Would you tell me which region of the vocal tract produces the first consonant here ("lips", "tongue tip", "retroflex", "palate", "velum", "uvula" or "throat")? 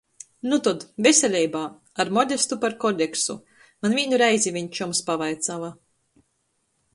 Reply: tongue tip